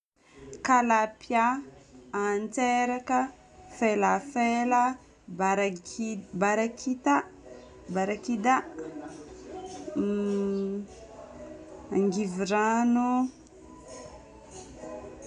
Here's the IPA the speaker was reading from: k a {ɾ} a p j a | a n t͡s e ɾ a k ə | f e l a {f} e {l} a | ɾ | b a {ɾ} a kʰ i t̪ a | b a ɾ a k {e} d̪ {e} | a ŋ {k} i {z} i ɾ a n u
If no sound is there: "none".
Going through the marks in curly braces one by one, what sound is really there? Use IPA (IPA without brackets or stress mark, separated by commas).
l, f, l, ɾ, i, a, ɡ, v